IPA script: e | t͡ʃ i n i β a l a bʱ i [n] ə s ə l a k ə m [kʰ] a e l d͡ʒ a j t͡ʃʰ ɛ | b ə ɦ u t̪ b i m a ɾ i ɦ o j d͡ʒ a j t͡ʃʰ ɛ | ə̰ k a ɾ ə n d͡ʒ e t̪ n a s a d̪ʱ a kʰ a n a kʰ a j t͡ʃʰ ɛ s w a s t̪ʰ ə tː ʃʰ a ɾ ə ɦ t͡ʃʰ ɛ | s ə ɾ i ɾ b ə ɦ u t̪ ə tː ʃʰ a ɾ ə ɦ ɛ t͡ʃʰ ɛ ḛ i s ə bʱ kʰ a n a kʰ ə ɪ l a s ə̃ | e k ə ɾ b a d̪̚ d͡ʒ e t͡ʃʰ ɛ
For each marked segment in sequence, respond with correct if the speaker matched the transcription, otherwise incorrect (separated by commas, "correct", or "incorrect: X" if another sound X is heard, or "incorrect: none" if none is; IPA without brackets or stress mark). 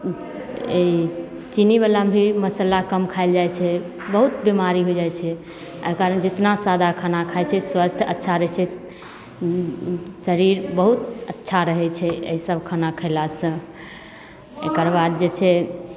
incorrect: m, correct